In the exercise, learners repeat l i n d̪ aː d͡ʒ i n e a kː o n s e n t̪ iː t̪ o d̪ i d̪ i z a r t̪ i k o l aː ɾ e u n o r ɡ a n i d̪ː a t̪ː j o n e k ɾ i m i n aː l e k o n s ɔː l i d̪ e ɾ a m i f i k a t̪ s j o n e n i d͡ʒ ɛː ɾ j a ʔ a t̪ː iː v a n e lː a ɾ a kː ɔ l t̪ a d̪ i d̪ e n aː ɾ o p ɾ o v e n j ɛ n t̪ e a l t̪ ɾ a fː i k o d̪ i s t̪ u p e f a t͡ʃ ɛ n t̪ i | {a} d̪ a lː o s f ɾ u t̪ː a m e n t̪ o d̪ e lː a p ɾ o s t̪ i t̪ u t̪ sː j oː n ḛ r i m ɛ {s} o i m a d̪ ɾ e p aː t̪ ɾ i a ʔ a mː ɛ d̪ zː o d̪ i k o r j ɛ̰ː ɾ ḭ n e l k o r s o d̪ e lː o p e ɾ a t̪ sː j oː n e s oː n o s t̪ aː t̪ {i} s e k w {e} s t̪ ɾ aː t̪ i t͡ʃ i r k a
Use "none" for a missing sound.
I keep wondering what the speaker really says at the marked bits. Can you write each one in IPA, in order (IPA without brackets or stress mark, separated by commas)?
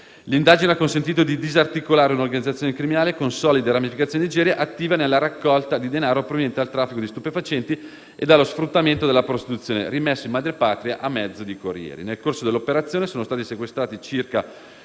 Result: e, sː, i, e